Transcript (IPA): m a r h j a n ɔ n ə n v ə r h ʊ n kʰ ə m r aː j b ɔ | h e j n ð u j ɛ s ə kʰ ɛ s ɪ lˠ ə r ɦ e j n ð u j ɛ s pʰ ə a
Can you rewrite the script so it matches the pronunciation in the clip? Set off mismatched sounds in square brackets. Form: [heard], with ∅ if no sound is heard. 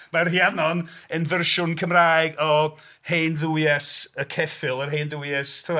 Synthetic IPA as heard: m a r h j a n ɔ n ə n v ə r [ʃ] ʊ n kʰ ə m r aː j [ɡ] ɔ | h e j n ð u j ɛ s ə kʰ ɛ [f] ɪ lˠ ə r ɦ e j n ð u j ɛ s [tʰ] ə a